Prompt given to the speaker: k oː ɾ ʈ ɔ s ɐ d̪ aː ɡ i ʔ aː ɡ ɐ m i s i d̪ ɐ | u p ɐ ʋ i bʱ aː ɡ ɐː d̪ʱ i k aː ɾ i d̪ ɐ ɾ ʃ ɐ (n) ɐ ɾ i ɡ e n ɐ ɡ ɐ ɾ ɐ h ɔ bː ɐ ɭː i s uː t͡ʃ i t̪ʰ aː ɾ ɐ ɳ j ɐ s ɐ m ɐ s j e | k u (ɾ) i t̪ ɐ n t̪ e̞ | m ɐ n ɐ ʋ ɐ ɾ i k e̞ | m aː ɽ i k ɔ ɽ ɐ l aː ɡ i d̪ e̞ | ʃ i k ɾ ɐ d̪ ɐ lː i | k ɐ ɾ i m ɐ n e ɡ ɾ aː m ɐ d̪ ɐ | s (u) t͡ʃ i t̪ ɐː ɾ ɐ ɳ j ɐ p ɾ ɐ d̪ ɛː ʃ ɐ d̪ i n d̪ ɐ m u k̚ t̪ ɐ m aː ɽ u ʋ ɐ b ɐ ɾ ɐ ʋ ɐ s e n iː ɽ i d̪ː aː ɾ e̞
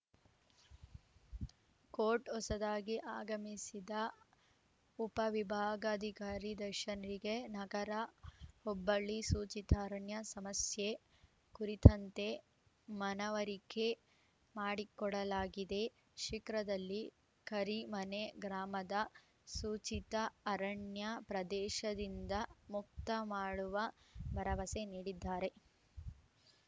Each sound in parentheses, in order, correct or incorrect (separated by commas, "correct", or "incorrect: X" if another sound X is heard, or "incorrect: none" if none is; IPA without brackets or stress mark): correct, correct, incorrect: uː